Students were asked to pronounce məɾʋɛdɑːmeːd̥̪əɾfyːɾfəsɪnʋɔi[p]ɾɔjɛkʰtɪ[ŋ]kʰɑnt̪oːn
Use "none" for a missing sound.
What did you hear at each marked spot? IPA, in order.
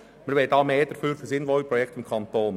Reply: p, m

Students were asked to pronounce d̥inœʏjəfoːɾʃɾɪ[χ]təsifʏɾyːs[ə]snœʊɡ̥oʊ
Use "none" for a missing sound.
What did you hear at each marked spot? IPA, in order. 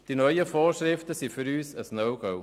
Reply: f, ə

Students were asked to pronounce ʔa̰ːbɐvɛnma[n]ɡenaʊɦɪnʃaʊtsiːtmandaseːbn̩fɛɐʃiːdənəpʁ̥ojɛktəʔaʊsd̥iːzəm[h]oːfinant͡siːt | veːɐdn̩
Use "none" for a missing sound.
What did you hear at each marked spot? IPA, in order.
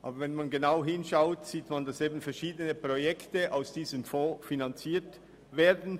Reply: n, f

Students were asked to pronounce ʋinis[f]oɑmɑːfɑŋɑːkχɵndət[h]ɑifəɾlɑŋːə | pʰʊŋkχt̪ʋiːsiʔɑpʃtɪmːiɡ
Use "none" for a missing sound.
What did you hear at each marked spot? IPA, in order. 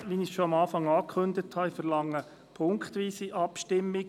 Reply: ʃ, h

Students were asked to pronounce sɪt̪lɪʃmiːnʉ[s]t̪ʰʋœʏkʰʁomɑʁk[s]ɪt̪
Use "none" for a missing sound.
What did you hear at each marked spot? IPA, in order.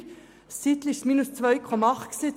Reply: s, s

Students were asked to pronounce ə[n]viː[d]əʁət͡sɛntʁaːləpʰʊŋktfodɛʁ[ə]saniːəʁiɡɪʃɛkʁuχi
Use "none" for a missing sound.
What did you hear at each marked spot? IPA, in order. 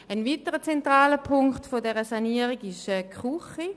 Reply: n, t, ə

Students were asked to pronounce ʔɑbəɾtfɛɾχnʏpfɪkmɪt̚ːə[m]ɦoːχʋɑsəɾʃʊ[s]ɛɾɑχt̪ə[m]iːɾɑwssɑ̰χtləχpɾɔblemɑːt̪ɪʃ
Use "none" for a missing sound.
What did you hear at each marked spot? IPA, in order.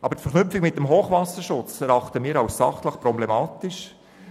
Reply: m, t͡s, m

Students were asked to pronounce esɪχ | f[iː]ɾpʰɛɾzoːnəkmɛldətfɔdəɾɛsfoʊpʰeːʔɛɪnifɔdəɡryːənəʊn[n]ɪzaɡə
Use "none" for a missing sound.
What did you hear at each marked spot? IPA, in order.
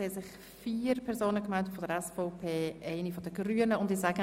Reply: iː, d

